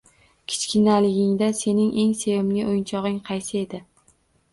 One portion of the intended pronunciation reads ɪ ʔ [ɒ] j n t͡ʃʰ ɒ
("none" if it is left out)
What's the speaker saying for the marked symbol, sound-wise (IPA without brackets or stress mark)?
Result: o